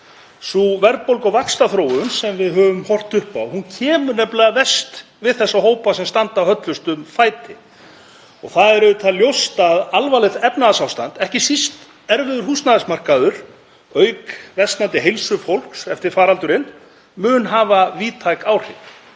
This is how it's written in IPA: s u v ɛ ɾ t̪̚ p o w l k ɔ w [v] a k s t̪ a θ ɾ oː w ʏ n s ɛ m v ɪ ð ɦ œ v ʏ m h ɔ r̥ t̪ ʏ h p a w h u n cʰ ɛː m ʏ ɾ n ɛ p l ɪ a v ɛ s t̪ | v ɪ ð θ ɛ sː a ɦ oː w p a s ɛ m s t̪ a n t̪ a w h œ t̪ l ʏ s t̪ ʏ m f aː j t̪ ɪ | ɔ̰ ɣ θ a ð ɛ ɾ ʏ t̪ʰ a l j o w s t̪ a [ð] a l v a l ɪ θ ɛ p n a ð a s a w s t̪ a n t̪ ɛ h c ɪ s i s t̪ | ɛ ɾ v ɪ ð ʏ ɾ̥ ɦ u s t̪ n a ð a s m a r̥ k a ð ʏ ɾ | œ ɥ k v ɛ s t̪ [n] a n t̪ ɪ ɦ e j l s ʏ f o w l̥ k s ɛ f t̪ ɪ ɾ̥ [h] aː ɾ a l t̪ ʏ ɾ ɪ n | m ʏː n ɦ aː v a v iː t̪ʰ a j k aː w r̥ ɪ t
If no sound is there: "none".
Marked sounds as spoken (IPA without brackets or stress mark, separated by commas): v, ð, n, f